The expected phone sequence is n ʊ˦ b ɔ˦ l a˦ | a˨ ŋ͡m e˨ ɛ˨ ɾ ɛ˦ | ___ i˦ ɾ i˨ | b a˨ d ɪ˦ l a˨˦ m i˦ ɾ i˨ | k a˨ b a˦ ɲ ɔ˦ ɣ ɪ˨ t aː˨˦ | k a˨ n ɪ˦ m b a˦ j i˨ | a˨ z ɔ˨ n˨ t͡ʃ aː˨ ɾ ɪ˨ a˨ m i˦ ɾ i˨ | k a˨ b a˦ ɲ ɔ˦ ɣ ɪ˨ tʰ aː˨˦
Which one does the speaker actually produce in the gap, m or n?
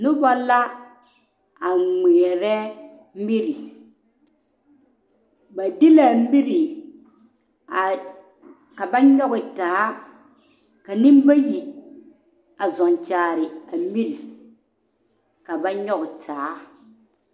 m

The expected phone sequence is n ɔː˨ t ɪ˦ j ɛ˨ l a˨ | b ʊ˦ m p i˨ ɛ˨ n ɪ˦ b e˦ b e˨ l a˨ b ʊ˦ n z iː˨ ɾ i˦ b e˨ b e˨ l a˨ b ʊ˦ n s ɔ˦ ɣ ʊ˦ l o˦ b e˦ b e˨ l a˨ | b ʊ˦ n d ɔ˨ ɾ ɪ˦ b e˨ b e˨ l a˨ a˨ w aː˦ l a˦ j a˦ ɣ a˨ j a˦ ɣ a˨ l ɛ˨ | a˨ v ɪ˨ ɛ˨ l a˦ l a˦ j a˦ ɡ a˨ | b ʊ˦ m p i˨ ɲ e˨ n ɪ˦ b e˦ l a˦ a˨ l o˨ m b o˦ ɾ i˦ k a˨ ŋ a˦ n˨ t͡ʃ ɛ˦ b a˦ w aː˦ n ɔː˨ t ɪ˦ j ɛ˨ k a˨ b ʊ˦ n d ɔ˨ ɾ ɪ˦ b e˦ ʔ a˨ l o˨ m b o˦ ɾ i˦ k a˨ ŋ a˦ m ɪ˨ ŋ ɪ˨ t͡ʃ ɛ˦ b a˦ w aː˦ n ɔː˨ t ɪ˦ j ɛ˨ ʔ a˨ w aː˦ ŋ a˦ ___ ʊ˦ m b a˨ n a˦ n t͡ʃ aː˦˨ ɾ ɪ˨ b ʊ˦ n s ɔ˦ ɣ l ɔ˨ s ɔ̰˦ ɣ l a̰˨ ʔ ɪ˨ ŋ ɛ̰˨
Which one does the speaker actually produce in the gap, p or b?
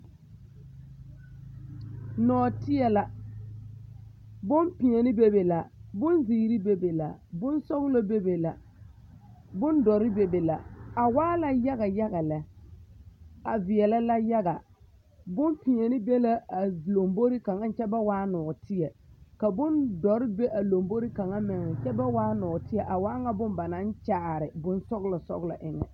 b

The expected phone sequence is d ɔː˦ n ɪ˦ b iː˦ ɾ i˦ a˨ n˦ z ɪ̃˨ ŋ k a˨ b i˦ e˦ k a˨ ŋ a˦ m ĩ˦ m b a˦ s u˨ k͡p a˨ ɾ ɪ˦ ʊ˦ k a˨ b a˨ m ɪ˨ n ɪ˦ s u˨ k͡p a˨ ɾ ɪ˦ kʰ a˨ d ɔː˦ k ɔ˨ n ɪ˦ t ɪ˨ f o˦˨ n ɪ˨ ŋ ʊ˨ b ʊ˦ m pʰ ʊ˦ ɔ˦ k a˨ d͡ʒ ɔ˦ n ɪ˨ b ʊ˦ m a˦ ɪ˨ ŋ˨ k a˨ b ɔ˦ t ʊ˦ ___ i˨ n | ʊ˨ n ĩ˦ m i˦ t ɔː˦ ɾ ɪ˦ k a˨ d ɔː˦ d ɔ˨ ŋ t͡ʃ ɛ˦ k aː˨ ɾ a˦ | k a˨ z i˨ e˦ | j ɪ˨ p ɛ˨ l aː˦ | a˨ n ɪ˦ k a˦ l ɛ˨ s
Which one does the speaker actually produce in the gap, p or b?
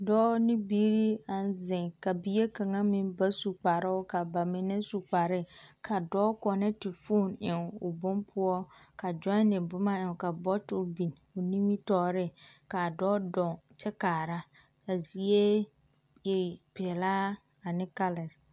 b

